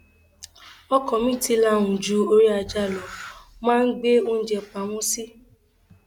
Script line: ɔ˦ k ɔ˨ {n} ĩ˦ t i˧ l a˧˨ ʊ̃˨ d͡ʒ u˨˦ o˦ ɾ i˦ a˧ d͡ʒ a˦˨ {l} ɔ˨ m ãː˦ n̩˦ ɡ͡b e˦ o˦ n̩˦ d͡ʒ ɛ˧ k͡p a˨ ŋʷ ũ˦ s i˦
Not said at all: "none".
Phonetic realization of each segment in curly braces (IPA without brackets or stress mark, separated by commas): m, l